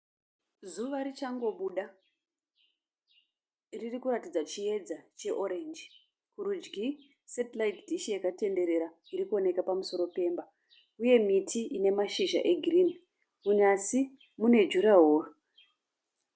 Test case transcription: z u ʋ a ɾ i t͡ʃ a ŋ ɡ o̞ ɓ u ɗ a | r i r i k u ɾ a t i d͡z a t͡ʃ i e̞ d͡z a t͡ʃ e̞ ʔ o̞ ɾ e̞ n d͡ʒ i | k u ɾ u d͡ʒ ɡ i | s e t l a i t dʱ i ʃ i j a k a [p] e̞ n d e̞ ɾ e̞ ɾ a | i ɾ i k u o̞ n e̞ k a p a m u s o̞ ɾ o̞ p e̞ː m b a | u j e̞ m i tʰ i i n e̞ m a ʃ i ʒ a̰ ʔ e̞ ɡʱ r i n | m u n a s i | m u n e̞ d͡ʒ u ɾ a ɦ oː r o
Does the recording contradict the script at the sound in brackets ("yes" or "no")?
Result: yes